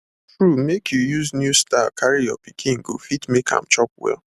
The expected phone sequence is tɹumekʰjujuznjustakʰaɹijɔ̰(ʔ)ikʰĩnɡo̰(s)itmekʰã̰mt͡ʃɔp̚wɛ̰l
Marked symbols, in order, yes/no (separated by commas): no, no